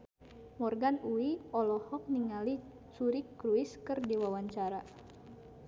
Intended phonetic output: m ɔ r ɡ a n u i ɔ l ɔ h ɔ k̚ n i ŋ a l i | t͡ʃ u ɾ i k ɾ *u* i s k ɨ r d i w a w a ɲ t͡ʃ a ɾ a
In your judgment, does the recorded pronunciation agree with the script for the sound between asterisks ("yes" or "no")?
yes